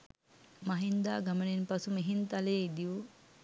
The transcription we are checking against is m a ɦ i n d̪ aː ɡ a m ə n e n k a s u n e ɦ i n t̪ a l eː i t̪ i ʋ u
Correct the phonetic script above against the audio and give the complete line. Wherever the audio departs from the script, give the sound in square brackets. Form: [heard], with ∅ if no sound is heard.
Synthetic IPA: m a ɦ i n d̪ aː ɡ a m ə n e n [p] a s u [m] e ɦ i n t̪ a l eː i [d̪] i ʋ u